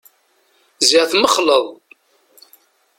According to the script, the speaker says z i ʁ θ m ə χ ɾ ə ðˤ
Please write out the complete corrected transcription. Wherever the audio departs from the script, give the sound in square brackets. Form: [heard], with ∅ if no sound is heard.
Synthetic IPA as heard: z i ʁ θ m ə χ [l] ə ðˤ